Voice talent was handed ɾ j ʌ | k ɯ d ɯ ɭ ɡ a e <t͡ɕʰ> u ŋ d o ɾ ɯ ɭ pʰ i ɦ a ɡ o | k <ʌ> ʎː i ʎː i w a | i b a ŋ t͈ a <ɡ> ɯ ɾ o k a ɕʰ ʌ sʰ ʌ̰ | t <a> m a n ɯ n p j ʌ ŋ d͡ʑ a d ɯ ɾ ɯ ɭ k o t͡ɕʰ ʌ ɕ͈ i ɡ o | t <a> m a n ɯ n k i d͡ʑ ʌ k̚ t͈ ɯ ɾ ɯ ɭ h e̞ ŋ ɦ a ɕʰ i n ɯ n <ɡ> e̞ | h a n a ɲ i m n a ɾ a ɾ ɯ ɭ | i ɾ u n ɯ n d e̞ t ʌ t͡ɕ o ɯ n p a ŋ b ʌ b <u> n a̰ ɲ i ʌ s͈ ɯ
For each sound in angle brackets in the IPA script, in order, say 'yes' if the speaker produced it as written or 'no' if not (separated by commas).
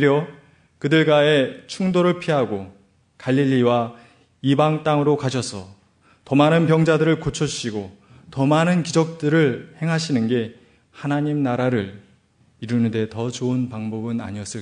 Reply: yes, no, no, no, no, yes, no